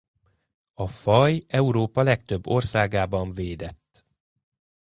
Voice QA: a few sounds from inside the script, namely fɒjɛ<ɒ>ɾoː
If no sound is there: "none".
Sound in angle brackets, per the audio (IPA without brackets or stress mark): u